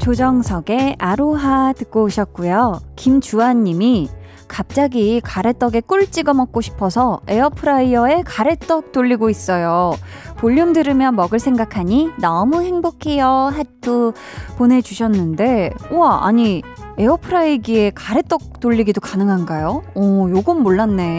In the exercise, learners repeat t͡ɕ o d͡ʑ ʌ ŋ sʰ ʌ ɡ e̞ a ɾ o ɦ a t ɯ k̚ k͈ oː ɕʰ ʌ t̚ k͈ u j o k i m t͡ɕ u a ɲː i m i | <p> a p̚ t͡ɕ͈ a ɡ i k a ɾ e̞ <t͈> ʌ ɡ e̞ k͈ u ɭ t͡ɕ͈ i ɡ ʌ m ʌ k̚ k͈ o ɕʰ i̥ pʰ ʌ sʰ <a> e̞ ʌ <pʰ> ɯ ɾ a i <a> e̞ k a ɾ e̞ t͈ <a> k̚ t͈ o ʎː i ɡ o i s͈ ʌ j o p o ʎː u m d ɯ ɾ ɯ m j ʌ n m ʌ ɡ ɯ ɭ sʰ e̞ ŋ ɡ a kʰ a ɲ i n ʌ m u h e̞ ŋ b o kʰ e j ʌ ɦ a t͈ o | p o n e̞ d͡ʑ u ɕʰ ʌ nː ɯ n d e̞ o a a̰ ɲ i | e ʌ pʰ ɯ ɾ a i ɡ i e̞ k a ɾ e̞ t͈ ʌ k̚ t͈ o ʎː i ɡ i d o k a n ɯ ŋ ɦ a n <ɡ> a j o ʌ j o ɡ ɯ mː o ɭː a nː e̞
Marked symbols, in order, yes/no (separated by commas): no, yes, no, yes, no, no, yes